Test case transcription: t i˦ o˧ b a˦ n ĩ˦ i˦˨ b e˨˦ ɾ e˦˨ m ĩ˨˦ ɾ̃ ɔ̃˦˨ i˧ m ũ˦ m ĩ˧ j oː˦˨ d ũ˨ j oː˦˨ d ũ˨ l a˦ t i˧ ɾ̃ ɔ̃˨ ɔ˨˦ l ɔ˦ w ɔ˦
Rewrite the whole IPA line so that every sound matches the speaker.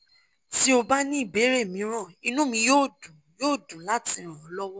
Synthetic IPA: t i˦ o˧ b a˦ n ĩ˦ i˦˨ b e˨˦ ɾ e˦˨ m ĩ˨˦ ɾ̃ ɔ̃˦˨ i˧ n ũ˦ m ĩ˧ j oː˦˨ d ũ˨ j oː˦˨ d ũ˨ l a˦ t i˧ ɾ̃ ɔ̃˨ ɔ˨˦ l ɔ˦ w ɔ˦